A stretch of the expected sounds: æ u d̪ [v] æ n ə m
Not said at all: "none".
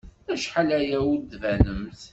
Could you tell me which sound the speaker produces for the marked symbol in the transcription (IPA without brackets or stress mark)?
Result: v